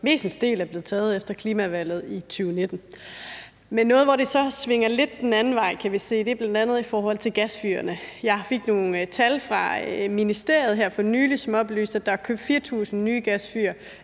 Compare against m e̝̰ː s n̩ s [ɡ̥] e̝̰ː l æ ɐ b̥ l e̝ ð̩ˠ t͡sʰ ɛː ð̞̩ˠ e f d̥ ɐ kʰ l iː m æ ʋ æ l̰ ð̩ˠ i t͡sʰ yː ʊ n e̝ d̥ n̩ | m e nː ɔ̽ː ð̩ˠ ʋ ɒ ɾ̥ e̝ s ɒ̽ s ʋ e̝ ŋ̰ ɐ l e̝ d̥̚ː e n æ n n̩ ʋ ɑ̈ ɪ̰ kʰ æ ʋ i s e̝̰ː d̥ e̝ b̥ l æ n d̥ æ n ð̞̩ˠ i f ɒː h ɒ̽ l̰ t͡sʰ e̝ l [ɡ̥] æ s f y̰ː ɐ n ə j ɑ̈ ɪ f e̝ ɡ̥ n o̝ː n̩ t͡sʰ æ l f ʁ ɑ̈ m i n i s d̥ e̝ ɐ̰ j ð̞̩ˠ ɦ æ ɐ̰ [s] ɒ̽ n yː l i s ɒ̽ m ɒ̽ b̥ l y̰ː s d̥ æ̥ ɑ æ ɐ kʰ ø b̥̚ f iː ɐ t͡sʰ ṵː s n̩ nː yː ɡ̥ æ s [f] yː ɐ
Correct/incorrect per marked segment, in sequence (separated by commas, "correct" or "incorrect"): incorrect, correct, incorrect, correct